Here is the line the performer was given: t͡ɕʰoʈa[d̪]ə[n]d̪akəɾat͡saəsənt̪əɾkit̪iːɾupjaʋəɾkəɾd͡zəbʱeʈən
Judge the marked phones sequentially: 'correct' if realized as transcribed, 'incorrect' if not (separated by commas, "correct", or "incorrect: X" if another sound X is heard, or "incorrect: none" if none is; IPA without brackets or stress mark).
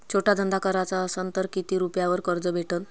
correct, correct